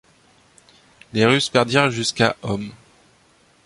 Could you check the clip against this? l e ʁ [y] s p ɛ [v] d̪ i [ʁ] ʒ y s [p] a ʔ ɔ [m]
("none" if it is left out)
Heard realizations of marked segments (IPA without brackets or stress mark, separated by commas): y, ʁ, ʁ, k, m